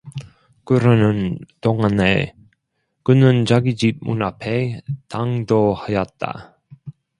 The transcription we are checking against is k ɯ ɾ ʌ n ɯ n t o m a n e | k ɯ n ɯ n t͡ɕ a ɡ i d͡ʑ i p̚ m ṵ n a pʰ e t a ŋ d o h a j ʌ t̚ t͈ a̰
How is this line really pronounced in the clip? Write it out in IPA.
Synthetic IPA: k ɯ ɾ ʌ n ɯ n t o ŋ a n e | k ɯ n ɯ n t͡ɕ a ɡ i d͡ʑ i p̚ m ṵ n a pʰ e t a ŋ d o h a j ʌ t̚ t͈ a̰

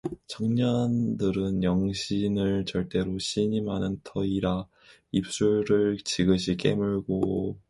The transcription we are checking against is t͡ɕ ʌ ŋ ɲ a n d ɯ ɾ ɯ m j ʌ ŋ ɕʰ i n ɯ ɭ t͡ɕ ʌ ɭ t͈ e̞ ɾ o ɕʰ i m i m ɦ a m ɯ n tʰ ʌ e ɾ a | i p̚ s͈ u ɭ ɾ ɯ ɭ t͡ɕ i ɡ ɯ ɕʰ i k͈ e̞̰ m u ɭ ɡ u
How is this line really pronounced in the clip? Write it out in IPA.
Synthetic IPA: t͡ɕ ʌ ŋ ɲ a n d ɯ ɾ ɯ n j ʌ ŋ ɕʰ i n ɯ ɭ t͡ɕ ʌ ɭ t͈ e̞ ɾ o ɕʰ i ɲ i m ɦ a n ɯ n tʰ ʌ i ɾ a | i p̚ s͈ u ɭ ɾ ɯ ɭ t͡ɕ i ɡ ɯ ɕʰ i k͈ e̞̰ m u ɭ ɡ o

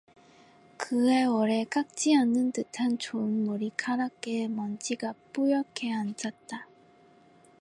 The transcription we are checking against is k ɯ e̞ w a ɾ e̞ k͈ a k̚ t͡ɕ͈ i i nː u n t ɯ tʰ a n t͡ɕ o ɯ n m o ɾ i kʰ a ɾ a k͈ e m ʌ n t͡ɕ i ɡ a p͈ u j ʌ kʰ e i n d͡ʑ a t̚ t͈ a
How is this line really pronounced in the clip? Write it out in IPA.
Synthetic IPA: k ɯ e̞ w ʌ ɾ e̞ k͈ a k̚ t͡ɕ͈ i a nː ɯ n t ɯ tʰ a n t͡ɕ o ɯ n m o ɾ i kʰ a ɾ a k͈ e m ʌ n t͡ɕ i ɡ a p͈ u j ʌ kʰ e a n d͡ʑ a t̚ t͈ a

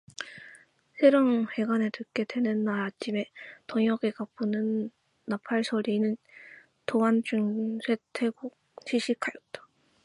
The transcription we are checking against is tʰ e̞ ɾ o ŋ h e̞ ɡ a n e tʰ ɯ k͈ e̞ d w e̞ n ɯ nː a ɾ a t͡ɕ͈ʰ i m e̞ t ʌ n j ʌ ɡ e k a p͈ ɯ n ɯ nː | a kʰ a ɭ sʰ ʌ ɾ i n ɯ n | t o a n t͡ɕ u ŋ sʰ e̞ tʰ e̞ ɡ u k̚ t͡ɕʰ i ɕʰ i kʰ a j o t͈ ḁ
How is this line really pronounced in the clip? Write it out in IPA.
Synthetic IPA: sʰ e̞ ɾ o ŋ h e̞ ɡ a n e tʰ ɯ k͈ e̞ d w e̞ n ɯ nː a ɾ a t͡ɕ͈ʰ i m e̞ t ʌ ŋ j ʌ ɡ e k a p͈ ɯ n ɯ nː | a pʰ a ɭ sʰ ʌ ɾ i n ɯ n | t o a n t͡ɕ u ŋ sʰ e̞ tʰ e̞ ɡ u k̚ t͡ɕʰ i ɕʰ i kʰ a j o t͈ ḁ

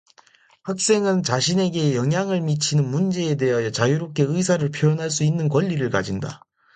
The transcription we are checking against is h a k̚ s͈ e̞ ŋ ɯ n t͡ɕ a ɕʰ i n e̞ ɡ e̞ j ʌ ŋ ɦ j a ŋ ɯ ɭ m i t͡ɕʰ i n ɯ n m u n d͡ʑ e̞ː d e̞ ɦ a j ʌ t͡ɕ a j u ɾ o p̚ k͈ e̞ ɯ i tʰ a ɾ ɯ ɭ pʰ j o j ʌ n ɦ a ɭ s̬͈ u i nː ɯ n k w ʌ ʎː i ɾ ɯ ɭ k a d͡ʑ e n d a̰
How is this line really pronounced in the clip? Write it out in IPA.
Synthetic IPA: h a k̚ s͈ e̞ ŋ ɯ n t͡ɕ a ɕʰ i n e̞ ɡ e̞ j ʌ ŋ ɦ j a ŋ ɯ ɭ m i t͡ɕʰ i n ɯ n m u n d͡ʑ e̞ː d e̞ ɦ a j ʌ t͡ɕ a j u ɾ o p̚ k͈ e̞ ɯ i sʰ a ɾ ɯ ɭ pʰ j o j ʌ n ɦ a ɭ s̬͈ u i nː ɯ n k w ʌ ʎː i ɾ ɯ ɭ k a d͡ʑ i n d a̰

